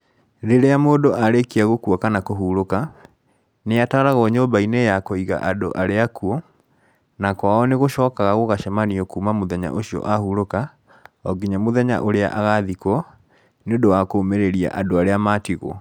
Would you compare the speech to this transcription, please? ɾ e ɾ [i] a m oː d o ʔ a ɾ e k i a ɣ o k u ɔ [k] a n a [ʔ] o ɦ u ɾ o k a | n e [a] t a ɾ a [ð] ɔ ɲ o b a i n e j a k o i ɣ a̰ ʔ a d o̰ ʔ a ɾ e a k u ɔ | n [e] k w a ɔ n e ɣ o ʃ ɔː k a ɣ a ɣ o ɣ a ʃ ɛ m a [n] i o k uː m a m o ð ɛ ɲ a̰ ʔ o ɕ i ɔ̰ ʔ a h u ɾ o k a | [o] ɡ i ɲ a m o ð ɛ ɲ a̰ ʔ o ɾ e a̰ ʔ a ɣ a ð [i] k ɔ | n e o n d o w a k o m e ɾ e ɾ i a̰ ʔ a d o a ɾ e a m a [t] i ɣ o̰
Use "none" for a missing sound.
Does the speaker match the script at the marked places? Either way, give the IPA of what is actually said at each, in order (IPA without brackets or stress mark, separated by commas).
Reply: e, k, k, a, ɣ, a, n, ɔ, i, t